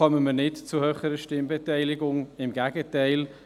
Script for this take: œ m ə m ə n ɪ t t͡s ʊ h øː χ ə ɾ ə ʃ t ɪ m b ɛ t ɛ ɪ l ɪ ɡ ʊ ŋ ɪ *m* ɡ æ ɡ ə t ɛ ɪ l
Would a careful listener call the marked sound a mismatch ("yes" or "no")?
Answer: no